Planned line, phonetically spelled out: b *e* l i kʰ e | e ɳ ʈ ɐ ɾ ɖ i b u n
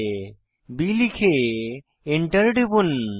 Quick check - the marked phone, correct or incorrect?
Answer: incorrect